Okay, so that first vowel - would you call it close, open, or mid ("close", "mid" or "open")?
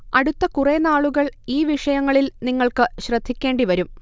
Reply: open